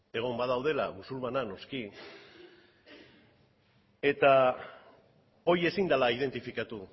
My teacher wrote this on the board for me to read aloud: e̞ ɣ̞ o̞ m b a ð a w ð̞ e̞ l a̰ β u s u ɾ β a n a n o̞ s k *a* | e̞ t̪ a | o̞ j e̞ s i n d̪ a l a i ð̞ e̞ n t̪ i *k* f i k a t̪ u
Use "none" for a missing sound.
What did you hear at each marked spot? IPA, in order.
i, none

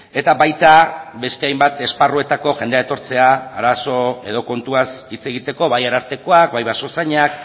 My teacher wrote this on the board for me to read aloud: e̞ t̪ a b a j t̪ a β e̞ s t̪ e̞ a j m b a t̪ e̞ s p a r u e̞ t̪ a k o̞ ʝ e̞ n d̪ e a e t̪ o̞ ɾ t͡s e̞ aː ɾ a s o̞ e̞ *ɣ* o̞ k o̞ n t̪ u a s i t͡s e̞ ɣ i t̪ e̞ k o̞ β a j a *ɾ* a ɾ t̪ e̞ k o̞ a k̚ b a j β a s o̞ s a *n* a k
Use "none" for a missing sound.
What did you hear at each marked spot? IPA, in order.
ð, ɾ, ɲ

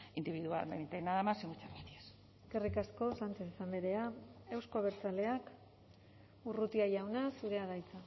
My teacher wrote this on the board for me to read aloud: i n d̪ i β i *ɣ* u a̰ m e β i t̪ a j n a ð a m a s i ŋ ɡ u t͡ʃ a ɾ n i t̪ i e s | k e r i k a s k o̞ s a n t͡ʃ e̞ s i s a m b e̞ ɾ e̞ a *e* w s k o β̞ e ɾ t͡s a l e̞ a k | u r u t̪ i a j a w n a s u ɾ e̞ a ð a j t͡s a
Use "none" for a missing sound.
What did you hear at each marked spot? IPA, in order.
ð, e

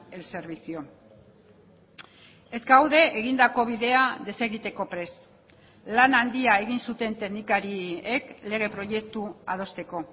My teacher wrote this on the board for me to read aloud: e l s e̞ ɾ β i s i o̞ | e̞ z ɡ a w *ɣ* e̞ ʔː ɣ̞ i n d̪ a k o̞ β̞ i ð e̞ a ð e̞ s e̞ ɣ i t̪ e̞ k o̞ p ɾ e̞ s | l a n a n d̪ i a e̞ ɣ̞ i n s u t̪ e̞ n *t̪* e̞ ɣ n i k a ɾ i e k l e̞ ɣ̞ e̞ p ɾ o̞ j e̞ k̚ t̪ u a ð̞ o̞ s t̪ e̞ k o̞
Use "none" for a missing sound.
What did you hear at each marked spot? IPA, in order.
ð, t̪

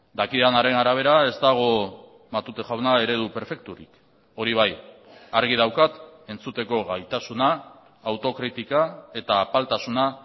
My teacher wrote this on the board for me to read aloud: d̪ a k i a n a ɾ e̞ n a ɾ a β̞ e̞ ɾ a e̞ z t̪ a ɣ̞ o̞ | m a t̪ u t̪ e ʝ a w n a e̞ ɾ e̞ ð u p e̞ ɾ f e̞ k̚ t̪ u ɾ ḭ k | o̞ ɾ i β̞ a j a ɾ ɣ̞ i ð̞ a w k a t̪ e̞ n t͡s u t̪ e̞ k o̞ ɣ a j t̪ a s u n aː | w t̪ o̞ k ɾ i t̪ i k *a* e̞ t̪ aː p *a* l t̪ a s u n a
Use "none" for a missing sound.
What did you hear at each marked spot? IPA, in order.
a, a

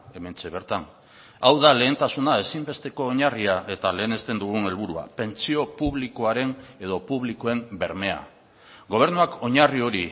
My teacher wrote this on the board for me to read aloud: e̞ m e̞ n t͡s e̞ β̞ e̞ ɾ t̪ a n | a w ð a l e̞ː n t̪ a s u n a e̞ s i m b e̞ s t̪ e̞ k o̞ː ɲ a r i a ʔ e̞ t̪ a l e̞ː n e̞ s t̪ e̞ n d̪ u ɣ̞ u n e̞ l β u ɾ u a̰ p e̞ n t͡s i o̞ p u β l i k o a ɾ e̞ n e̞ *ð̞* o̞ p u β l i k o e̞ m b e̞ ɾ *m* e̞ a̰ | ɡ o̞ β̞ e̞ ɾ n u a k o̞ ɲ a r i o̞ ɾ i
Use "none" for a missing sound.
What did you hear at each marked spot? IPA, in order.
ð̞, m

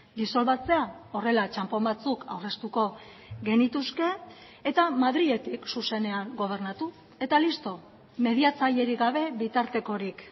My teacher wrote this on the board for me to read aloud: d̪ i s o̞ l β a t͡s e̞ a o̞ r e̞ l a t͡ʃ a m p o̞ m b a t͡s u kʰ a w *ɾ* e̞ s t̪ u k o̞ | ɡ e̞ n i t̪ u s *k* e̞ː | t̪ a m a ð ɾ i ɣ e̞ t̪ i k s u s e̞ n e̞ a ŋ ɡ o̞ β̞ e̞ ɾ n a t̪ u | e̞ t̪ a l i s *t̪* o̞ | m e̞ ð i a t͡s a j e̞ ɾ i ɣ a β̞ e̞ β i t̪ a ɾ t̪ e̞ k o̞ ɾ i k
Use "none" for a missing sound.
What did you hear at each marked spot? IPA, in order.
r, k, t̪

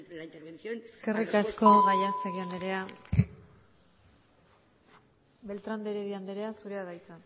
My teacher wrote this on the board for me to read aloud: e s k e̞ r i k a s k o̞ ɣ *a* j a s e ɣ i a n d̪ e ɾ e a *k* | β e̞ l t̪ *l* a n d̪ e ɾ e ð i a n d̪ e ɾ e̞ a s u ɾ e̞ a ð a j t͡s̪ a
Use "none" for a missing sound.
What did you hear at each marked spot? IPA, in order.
a, none, ɾ

